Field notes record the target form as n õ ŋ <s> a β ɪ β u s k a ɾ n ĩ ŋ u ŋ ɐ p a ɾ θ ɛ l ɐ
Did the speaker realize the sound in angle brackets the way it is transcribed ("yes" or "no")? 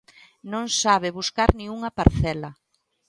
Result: yes